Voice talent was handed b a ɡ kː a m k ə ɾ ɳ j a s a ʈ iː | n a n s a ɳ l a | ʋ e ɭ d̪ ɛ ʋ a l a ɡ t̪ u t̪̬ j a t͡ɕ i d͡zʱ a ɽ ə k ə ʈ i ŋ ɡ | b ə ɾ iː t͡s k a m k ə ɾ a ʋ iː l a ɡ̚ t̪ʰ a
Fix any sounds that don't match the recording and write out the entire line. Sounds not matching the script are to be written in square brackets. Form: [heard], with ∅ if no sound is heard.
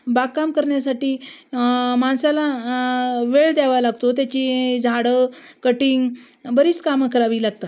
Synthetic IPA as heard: b a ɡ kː a m k ə ɾ ɳ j a s a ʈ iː | [m] a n s a [∅] l a | ʋ e ɭ d̪ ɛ ʋ a l a ɡ t̪ [o] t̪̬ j a t͡ɕ i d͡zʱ a ɽ ə k ə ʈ i ŋ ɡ | b ə ɾ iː t͡s k a m k ə ɾ a ʋ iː l a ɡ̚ [t̪] a

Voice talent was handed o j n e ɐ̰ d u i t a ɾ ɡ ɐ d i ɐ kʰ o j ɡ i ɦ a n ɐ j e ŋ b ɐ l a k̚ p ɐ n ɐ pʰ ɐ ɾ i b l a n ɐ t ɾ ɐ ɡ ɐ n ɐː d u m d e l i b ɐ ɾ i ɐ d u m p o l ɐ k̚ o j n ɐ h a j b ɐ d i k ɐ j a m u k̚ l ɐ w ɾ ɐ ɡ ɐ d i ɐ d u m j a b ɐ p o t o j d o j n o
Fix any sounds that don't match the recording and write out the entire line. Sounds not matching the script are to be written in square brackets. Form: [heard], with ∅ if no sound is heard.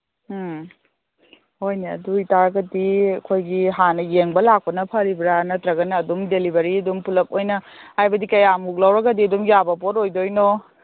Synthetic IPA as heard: o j n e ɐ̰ d u i t a ɾ ɡ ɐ d i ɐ kʰ o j ɡ i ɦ a n ɐ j e ŋ b ɐ l a k̚ p ɐ n ɐ pʰ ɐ ɾ i b [ɾ] a n ɐ t ɾ ɐ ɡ ɐ n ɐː d u m d e l i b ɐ ɾ i ɐ d u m p [u] l ɐ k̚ o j n ɐ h a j b ɐ d i k ɐ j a m u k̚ l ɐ w ɾ ɐ ɡ ɐ d i ɐ d u m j a b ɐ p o t o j d o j n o

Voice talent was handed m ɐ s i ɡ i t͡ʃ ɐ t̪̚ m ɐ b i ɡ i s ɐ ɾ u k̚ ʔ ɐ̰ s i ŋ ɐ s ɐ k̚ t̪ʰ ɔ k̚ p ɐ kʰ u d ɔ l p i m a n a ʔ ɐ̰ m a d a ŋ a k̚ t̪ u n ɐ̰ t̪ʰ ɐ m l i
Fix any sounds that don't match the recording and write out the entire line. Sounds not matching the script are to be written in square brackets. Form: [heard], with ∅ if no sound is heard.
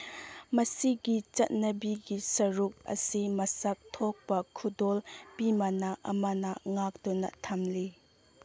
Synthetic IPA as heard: m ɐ s i ɡ i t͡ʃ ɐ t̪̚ [n] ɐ b i ɡ i s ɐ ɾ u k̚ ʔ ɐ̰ s i [m] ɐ s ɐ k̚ t̪ʰ ɔ k̚ p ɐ kʰ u d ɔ l p i m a n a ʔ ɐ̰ m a [n] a ŋ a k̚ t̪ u n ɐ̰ t̪ʰ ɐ m l i

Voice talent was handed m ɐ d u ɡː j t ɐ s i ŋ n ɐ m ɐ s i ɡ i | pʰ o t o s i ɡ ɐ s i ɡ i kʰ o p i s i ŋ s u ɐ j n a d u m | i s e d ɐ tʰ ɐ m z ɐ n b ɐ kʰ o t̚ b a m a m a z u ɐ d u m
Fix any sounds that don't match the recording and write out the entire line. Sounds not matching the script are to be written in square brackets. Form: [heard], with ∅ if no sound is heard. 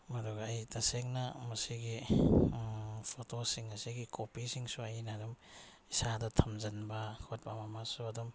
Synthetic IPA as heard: m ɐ d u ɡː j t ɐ s [e] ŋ n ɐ m ɐ s i ɡ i | pʰ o t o s i [ŋ] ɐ s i ɡ i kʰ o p i s i ŋ s u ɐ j n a d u m | i s [a] d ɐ tʰ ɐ m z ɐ n b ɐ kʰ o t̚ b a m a m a [s] u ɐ d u m

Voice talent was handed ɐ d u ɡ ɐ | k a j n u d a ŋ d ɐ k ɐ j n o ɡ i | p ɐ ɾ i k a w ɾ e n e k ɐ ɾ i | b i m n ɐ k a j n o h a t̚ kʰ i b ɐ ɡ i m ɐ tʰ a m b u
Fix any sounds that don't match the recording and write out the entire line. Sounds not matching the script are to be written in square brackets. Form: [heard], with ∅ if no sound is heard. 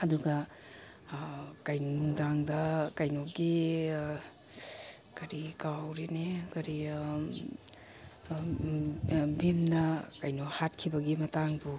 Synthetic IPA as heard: ɐ d u ɡ ɐ | k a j n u d a ŋ d ɐ k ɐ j n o ɡ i | [k] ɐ ɾ i k a w ɾ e n e k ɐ ɾ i | b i m n ɐ k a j n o h a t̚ kʰ i b ɐ ɡ i m ɐ [t] a [ŋ] b u

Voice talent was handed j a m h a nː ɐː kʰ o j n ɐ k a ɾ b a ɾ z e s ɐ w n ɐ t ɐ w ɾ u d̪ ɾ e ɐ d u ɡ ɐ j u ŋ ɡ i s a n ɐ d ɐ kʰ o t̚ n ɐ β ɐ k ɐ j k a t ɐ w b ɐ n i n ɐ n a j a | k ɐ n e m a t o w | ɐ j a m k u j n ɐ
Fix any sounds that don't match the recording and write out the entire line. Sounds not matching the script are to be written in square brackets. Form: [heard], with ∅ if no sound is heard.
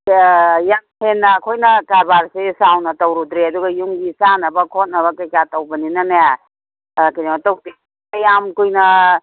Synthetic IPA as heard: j a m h [e] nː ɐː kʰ o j n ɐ k a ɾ b a ɾ [s] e s [a] w n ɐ t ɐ w ɾ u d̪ ɾ e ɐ d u ɡ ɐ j u ŋ ɡ i s a n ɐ [b] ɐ kʰ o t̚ n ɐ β ɐ k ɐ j k a t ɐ w b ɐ n i n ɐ n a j a | k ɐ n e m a t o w | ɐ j a m k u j n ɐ

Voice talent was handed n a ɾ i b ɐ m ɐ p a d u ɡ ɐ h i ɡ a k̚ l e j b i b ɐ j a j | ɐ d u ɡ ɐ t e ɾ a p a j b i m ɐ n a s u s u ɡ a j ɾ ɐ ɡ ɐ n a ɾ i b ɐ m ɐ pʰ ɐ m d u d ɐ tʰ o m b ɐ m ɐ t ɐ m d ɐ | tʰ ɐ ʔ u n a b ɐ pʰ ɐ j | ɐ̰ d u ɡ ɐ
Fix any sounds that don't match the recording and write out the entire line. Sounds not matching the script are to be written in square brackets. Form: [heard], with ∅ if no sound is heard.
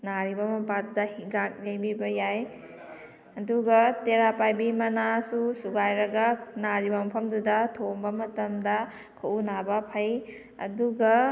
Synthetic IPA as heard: n a ɾ i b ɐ m ɐ p a d u [d] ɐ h i ɡ a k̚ l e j b i b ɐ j a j | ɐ d u ɡ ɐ t e ɾ a p a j b i m ɐ n a s u s u ɡ a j ɾ ɐ ɡ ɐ n a ɾ i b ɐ m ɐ pʰ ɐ m d u d ɐ tʰ o m b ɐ m ɐ t ɐ m d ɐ | [kʰ] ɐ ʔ u n a b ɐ pʰ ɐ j | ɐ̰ d u ɡ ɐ

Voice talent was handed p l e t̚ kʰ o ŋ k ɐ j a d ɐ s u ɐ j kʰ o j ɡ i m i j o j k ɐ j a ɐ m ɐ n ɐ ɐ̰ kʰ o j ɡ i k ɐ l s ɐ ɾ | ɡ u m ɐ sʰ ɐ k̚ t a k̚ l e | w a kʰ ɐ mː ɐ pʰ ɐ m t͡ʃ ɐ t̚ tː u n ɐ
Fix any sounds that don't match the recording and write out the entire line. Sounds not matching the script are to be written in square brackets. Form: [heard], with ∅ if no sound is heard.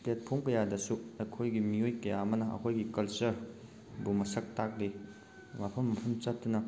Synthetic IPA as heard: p l e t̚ [pʰ] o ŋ k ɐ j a d ɐ s u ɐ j kʰ o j ɡ i m i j o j k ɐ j a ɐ m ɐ n ɐ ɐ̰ kʰ o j ɡ i k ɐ l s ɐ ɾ | [b] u m ɐ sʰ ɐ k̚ t a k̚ l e | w a [pʰ] ɐ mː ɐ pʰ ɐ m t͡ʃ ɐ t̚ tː u n ɐ

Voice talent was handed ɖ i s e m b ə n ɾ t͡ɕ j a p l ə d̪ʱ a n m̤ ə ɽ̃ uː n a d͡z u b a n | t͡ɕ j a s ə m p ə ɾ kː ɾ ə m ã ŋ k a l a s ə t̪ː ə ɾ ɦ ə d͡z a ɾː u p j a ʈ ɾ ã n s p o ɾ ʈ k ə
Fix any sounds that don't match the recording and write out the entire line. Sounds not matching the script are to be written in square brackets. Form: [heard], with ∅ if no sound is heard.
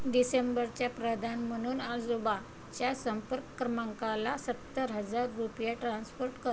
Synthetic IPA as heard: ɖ i s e m b ə [∅] ɾ t͡ɕ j a p [ɾ] ə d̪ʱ a n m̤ ə ɽ̃ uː n a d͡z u b a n | t͡ɕ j a s ə m p ə ɾ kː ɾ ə m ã ŋ k a l a s ə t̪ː ə ɾ ɦ ə d͡z a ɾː u p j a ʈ ɾ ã n s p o ɾ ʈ k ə

